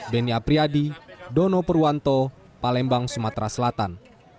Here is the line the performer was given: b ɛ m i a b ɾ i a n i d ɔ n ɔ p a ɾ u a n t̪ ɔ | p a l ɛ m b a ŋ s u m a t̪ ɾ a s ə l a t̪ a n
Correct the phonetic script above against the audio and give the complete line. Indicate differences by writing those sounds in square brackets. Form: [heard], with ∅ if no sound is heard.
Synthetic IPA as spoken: b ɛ [n] i a [p] ɾ i a [d] i d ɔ n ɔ p [ə] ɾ u a n t̪ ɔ | p a l ɛ m b a ŋ s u m a t̪ ɾ a s ə l a t̪ a n